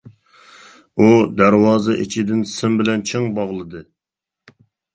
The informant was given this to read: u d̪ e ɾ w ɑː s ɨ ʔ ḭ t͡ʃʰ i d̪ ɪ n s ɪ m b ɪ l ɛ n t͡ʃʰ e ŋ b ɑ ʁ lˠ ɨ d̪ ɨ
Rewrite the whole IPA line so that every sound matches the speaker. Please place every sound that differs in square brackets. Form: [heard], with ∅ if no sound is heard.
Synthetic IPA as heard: u d̪ [æ] ɾ w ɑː [z] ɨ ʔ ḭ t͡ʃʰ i d̪ ɪ n s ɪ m b ɪ l ɛ n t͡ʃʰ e ŋ b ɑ ʁ lˠ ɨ d̪ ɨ